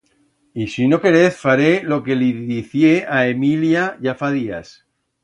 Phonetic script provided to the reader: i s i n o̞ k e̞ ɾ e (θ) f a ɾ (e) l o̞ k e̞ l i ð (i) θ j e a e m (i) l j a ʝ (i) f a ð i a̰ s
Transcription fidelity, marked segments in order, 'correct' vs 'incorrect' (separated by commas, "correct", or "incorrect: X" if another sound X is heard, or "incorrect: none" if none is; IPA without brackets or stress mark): correct, correct, correct, correct, incorrect: a